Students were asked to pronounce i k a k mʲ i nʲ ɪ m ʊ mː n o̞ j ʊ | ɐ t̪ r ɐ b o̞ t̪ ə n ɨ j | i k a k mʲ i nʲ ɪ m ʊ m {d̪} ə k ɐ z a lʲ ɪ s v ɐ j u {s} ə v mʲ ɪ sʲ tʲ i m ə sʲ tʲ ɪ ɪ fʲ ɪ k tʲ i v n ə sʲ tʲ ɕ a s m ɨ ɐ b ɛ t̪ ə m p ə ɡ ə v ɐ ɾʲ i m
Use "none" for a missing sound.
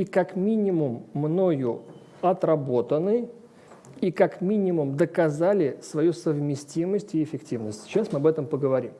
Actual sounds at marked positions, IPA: d̪, s

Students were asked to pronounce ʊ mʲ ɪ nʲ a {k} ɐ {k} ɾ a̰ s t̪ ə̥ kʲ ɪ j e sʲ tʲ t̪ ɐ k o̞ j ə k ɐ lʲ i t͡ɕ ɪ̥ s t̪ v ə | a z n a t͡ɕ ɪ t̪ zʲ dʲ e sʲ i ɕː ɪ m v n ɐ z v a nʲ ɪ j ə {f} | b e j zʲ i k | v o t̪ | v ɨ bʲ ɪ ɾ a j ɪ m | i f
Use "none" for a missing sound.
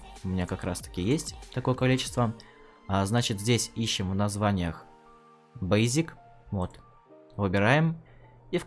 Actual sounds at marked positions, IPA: k, k, x

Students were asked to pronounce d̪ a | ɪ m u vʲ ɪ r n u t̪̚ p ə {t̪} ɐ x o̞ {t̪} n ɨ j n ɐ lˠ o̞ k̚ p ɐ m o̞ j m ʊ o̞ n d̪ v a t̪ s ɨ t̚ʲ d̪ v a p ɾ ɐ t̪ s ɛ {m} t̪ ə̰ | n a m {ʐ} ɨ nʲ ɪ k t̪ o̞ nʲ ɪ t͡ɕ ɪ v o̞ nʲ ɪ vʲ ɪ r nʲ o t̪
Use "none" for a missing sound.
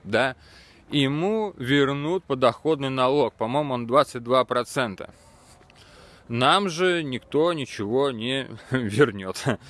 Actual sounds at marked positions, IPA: d̪, d̪, n, ʐ

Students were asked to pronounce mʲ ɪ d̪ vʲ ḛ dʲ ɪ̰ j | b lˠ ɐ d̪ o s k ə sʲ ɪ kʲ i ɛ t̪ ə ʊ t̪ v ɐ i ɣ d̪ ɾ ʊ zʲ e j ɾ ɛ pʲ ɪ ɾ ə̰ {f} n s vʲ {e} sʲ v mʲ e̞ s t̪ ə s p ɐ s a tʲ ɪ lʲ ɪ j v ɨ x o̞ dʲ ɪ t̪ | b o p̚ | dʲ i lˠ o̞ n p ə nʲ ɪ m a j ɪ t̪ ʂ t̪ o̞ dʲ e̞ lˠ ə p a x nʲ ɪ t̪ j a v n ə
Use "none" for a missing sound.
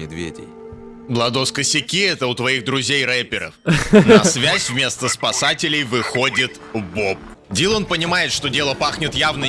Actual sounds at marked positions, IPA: f, æ

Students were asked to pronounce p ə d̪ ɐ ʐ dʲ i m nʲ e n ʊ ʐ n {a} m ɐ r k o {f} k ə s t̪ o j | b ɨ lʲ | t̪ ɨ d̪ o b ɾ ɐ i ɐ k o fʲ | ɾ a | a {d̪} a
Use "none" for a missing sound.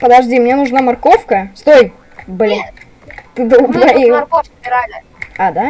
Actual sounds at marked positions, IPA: a, f, d̪

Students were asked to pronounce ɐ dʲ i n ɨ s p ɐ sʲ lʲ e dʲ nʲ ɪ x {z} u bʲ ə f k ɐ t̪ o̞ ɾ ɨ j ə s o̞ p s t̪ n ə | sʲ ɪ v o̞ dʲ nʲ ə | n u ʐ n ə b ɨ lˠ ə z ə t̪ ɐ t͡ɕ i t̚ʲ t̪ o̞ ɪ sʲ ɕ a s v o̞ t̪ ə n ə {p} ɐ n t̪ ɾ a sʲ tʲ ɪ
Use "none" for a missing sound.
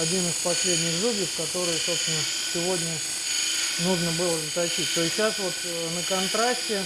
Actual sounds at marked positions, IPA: z, k

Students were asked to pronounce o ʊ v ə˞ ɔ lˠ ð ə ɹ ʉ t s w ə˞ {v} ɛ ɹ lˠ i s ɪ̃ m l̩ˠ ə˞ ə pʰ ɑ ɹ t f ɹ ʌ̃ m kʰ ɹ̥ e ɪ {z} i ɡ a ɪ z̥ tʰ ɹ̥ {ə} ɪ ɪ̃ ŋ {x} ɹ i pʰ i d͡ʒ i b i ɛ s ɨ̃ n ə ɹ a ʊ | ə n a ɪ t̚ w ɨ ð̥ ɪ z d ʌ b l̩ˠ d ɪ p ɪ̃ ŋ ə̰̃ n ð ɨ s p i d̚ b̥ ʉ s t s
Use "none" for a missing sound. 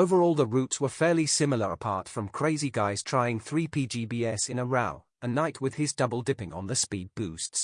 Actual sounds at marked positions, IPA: f, z, a, θ

